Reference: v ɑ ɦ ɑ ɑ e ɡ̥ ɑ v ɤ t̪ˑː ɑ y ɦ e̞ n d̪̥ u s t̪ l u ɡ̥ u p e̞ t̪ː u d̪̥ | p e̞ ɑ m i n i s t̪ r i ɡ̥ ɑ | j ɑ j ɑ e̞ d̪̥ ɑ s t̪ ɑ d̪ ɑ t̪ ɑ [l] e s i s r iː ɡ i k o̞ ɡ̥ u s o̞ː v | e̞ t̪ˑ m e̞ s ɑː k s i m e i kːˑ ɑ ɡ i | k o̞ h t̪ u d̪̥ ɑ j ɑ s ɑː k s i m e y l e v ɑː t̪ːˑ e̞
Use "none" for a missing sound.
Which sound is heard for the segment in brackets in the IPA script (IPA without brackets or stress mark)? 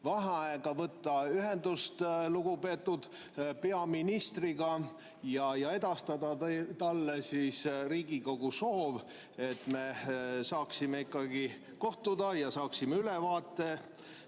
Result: lː